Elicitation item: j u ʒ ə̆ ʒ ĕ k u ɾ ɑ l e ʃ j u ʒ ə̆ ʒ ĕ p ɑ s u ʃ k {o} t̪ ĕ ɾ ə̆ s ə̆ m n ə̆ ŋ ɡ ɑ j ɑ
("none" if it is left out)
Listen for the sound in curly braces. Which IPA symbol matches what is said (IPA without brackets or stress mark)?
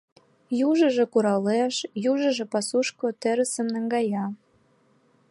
o